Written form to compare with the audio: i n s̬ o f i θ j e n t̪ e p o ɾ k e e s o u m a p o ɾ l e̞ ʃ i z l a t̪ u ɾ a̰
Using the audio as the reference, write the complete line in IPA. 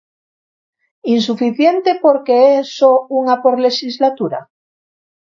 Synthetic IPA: i n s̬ u f i θ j e n t̪ e p o ɾ k e e s o u ŋ a p o ɾ l e̞ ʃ i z l a t̪ u ɾ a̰